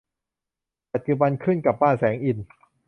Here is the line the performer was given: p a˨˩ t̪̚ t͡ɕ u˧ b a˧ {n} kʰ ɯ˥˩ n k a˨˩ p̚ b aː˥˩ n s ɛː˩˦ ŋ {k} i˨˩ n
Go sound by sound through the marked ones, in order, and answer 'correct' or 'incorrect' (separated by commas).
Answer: correct, incorrect